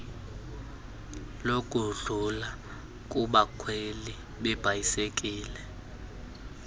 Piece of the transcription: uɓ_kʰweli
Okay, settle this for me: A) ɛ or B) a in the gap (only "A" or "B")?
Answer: B